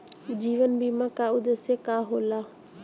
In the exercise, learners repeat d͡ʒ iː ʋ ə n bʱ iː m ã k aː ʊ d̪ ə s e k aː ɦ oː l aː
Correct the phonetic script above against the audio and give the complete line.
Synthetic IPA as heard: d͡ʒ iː ʋ ə n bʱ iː m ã k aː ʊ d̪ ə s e k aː ɦ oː l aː

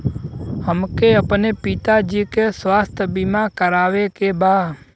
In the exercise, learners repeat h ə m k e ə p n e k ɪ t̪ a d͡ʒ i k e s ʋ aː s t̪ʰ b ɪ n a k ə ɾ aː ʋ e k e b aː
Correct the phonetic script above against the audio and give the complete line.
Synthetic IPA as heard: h ə m k e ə p n e p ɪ t̪ a d͡ʒ i k e s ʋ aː s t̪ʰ b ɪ m a k ə ɾ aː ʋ e k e b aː

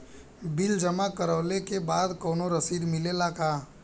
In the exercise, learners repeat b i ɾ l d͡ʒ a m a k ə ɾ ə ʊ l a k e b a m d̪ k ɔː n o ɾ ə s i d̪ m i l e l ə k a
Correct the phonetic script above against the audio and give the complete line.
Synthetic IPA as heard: b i l d͡ʒ ə m a k ə ɾ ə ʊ l e k e b a d̪ k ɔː n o ɾ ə s i d̪ m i l e l a k a

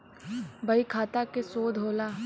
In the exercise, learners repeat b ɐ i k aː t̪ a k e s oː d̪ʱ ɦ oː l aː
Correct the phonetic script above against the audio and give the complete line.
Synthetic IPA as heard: b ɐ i kʰ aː t̪ a k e s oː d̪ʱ ɦ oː l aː

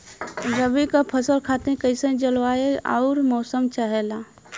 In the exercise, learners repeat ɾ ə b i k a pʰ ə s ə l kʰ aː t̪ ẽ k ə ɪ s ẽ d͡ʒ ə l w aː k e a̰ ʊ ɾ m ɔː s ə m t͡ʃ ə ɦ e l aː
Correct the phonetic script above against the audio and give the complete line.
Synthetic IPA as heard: ɾ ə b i k a pʰ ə s ə l kʰ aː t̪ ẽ k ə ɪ s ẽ d͡ʒ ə l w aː e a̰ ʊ ɾ m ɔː s ə m t͡ʃ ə ɦ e l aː

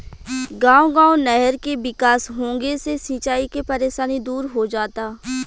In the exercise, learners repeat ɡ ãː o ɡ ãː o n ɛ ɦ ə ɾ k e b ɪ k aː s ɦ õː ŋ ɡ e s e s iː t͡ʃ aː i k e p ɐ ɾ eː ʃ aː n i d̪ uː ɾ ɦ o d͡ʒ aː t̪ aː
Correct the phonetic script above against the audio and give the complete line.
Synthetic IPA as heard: ɡ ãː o ɡ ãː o n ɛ ɦ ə ɾ k e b ɪ k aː s ɦ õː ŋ ɡ e s e s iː t͡ʃ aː i k e p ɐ ɾ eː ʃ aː n i d̪ uː ɾ ɦ o d͡ʒ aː t̪ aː

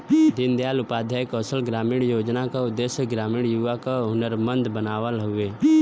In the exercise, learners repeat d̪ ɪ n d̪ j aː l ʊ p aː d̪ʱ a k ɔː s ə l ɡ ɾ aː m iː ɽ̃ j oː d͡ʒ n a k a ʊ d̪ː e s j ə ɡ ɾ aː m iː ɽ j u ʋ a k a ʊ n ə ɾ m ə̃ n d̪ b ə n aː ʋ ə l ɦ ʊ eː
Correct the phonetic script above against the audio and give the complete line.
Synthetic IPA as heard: d̪ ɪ n d̪ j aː l ʊ p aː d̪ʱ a k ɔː s ə l ɡ ɾ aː m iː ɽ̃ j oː d͡ʒ n a k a ʊ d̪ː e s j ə ɡ ɾ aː m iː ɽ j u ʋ a k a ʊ n ə ɾ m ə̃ n d̪ b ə n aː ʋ ə l ɦ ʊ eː

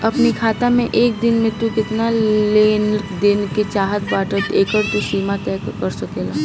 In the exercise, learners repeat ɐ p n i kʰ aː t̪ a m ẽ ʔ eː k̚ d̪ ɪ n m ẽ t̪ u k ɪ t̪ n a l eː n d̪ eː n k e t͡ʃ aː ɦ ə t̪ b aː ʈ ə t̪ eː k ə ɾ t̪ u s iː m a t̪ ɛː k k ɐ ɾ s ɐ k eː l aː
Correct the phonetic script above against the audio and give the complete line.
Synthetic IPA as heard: ɐ p n i kʰ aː t̪ a m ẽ ʔ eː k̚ d̪ ɪ n m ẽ t̪ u k ɪ t̪ n a l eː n d̪ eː n k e t͡ʃ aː ɦ ə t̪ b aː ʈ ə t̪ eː k ə ɾ t̪ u s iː m a t̪ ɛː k k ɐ ɾ s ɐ k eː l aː

